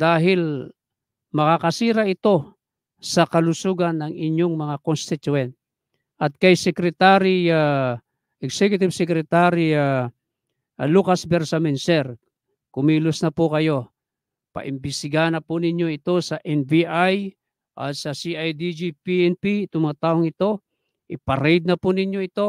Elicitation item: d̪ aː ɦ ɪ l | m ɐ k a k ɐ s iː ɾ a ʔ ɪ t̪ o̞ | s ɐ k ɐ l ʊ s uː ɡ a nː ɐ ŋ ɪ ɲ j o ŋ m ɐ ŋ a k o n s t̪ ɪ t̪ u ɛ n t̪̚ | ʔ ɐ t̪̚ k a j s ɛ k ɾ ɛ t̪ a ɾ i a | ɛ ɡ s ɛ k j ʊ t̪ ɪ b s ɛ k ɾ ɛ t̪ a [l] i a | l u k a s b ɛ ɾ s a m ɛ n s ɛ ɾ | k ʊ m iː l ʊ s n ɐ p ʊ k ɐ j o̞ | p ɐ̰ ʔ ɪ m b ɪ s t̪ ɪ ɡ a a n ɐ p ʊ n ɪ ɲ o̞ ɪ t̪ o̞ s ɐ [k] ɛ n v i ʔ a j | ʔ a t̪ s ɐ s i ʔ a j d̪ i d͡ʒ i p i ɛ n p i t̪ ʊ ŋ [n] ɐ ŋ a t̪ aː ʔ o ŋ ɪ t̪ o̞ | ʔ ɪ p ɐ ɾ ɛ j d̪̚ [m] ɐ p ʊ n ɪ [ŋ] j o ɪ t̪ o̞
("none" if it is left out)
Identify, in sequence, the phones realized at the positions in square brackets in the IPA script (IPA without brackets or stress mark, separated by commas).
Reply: ɾ, ʔ, m, n, ɲ